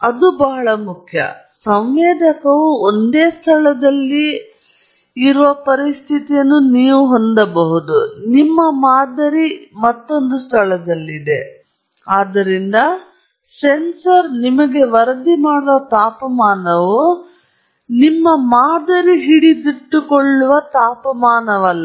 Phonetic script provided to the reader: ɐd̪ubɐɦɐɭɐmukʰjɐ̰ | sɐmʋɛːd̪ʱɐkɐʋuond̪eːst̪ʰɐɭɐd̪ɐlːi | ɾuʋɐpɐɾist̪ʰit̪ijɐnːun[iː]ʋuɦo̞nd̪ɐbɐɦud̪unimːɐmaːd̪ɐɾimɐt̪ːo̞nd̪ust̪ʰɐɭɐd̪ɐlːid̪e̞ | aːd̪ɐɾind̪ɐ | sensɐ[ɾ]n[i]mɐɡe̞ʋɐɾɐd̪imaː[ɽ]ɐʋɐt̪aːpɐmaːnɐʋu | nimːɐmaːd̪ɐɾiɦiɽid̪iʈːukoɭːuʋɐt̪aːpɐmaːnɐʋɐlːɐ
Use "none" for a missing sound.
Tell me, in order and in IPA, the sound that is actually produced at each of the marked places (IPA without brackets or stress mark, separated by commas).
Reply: iː, ɾ, i, ɽ